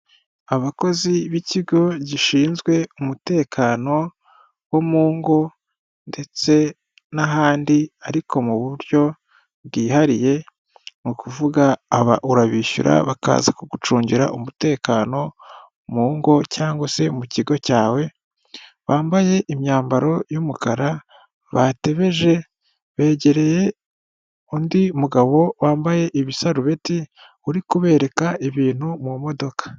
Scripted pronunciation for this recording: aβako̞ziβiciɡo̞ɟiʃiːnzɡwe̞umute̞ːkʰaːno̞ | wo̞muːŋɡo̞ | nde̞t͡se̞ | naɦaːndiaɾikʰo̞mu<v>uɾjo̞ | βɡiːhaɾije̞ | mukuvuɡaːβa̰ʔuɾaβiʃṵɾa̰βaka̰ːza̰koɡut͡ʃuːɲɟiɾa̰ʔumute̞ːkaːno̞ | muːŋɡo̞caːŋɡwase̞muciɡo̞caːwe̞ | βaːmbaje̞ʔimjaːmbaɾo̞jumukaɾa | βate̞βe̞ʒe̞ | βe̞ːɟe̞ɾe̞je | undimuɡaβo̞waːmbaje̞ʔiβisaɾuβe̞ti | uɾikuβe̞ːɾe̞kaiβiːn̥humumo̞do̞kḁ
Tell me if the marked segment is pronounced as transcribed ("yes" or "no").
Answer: no